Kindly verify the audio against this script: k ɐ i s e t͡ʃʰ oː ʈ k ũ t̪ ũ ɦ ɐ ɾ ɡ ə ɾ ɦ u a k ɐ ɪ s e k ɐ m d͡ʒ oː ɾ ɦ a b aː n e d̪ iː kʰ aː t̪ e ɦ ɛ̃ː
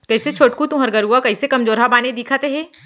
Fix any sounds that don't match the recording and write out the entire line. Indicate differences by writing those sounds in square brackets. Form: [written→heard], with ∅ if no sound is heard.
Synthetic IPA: k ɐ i s e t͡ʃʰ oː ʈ k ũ t̪ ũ ɦ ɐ ɾ ɡ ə ɾ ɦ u a k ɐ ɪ s e k ɐ m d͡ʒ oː ɾ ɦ a b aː n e d̪ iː kʰ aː t̪ e ɦ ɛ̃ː